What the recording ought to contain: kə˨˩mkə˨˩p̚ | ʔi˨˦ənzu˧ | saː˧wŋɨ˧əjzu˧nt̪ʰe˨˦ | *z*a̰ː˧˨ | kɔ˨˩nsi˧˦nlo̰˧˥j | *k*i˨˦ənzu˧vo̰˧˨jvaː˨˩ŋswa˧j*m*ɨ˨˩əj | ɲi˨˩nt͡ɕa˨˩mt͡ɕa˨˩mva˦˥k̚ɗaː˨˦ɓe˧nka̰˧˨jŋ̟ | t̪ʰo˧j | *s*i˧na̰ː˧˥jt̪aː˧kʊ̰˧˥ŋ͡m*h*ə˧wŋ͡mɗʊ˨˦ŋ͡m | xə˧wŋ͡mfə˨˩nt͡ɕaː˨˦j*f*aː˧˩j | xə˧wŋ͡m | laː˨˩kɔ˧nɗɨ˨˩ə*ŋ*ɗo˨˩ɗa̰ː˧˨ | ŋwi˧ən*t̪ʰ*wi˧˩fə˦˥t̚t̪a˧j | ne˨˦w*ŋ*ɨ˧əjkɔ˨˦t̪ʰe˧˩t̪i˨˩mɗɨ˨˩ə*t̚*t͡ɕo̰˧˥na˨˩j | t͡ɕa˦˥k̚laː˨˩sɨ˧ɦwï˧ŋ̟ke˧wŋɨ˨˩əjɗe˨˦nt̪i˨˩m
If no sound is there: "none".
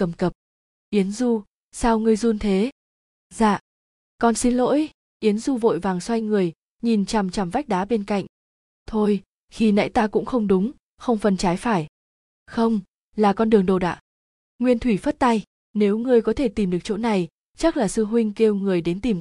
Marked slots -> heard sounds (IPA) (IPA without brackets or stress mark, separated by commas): z, ʔ, ŋ, x, x, f, ŋ, t̪ʰ, ŋ, k̚